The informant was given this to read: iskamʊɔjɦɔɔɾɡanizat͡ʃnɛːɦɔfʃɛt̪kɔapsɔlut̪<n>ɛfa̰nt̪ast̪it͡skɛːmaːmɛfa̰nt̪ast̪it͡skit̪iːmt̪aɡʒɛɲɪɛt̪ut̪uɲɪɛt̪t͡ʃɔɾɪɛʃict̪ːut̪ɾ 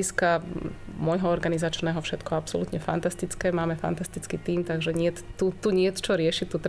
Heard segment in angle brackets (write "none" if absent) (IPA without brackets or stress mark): ɲ